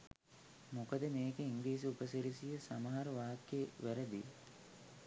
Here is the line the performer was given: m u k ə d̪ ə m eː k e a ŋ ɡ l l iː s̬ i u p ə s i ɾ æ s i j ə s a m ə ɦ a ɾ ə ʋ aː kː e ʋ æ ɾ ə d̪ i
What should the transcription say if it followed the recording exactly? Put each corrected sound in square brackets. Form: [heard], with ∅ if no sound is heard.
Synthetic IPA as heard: m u k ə d̪ ə m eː k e [i] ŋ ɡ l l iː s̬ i u p ə s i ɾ [i] s i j ə s a m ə ɦ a ɾ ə ʋ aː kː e ʋ æ ɾ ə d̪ i